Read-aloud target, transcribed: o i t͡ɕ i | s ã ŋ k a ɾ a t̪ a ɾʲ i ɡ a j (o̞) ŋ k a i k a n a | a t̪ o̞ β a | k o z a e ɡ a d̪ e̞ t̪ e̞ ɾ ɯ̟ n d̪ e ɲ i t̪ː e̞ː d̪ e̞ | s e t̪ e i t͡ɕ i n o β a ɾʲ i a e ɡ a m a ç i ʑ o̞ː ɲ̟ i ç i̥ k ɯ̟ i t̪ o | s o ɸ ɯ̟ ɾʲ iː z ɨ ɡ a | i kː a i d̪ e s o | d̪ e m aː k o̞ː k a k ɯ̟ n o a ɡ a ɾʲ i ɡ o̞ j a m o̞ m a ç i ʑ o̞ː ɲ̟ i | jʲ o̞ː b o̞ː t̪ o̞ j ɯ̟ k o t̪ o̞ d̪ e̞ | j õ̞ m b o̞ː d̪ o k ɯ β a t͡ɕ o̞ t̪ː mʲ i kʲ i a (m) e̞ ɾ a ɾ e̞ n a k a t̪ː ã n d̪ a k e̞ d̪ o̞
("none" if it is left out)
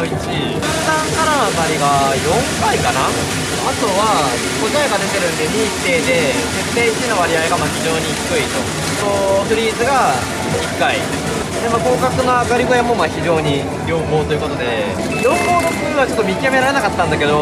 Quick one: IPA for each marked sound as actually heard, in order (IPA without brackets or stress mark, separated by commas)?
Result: õ̞, m